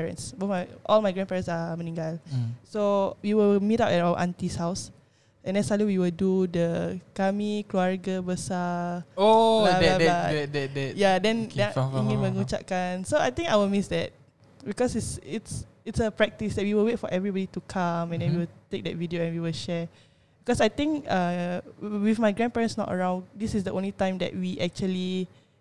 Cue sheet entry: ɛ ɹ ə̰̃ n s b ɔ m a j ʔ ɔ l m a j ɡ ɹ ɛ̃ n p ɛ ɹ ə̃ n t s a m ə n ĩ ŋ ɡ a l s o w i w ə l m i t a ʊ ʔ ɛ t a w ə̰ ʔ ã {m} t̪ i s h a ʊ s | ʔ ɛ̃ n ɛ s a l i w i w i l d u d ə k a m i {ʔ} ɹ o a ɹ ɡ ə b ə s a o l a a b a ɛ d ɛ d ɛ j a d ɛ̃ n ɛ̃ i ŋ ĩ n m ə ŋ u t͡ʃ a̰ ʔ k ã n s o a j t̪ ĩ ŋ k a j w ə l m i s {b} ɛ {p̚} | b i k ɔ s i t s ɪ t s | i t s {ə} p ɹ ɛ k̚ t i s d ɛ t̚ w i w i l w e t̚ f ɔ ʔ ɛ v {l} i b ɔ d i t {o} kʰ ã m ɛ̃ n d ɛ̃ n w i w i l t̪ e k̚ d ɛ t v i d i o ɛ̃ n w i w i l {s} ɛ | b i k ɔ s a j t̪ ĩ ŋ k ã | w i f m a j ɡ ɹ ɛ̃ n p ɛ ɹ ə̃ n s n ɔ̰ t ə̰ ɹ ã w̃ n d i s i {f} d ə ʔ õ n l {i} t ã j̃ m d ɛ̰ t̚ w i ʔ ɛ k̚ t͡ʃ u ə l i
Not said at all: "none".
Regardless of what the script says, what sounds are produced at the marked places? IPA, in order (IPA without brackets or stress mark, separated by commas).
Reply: n, k, d, t̚, ə, ɹ, u, ʃ, s, i